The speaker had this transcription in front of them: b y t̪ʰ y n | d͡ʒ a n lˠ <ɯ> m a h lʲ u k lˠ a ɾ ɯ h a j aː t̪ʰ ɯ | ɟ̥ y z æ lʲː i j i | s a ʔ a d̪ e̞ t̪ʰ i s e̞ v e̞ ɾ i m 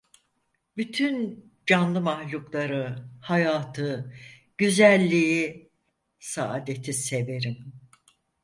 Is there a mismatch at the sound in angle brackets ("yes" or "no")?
no